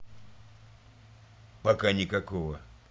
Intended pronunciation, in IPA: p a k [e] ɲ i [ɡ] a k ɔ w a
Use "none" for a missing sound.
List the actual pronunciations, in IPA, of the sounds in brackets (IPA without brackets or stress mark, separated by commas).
a, k